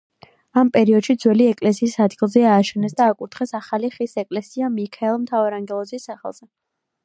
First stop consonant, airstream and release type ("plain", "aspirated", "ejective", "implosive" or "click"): ejective